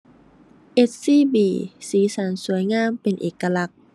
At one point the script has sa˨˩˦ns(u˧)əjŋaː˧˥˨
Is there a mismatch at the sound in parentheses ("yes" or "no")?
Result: yes